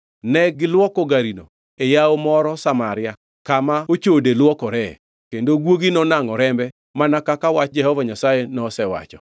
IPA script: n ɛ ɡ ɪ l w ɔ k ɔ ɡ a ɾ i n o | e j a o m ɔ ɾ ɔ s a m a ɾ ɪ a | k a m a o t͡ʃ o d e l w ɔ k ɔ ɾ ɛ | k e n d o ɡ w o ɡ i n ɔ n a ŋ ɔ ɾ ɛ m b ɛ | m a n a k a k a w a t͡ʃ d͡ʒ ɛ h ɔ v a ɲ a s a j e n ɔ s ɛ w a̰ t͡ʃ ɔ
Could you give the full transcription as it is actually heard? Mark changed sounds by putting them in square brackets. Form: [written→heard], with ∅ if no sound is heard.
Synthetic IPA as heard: n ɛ ɡ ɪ l w ɔ k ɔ ɡ a ɾ i n o | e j a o m ɔ ɾ ɔ s a m a ɾ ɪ a | k a m a o t͡ʃ o d e l w ɔ k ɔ ɾ ɛ | k e n d o ɡ w o ɡ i n ɔ n a ŋ ɔ ɾ ɛ m b ɛ | m a n a k a k a w a t͡ʃ d͡ʒ ɛ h ɔ v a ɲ a s a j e n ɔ s ɛ w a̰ t͡ʃ ɔ

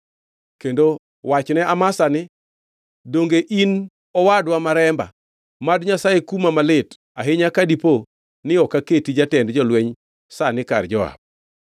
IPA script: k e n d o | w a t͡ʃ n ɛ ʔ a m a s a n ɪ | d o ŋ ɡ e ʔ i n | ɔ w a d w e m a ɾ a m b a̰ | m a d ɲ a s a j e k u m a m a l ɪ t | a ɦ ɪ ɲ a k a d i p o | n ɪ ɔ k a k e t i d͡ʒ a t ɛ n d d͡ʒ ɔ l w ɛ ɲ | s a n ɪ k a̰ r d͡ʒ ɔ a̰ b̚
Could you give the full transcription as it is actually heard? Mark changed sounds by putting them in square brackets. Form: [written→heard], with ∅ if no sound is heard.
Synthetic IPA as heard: k e n d o | w a t͡ʃ n ɛ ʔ a m a s a n ɪ | d o ŋ ɡ e ʔ i n | ɔ w a d w [e→a] m a ɾ [a→ɛ] m b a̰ | m a d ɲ a s a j e k u m a m a l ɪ t | a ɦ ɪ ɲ a k a d i p o | n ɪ ɔ k a k e t i d͡ʒ a t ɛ n d d͡ʒ ɔ l w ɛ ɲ | s a n ɪ k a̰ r d͡ʒ ɔ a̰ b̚

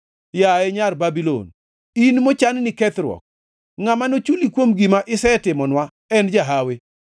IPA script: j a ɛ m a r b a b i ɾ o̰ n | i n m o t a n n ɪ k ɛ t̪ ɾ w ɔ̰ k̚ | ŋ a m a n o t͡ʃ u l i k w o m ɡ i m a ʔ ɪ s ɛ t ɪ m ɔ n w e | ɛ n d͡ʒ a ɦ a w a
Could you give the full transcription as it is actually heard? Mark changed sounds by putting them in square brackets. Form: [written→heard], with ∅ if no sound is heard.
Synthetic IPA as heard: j a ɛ [m→ɲ] a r b a b i [ɾ→l] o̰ n | i n m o [t→t͡ʃ] a n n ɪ k ɛ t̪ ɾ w ɔ̰ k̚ | ŋ a m a n o t͡ʃ u l i k w o m ɡ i m a ʔ ɪ s ɛ t ɪ m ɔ n w [e→a] | ɛ n d͡ʒ a ɦ a w [a→e]

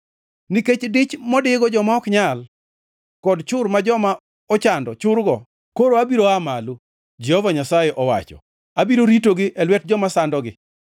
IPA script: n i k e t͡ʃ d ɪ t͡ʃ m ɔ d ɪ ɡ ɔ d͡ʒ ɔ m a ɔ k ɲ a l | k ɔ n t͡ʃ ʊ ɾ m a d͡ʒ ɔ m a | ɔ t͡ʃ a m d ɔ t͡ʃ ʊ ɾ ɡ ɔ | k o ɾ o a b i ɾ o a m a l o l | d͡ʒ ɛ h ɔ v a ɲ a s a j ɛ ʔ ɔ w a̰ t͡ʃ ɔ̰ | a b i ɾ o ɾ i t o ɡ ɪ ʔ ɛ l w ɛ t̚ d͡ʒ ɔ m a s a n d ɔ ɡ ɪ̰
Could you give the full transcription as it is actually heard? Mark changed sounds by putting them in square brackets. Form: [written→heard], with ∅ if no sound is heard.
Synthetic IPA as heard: n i k e t͡ʃ d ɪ t͡ʃ m ɔ d ɪ ɡ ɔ d͡ʒ ɔ m a ɔ k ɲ a l | k ɔ [n→d] t͡ʃ ʊ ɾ m a d͡ʒ ɔ m a | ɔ t͡ʃ a [m→n] d ɔ t͡ʃ ʊ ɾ ɡ ɔ | k o ɾ o a b i ɾ o a m a l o [l→∅] | d͡ʒ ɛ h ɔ v a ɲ a s a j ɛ ʔ ɔ w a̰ t͡ʃ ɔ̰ | a b i ɾ o ɾ i t o ɡ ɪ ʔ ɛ l w ɛ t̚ d͡ʒ ɔ m a s a n d ɔ ɡ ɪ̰

